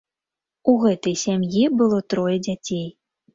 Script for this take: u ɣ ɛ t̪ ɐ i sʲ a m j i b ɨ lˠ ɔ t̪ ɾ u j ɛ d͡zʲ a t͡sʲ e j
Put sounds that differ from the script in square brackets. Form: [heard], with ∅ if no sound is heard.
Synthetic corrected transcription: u ɣ ɛ t̪ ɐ [j] sʲ a m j i b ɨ lˠ ɔ t̪ ɾ [ɔ] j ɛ d͡zʲ a t͡sʲ e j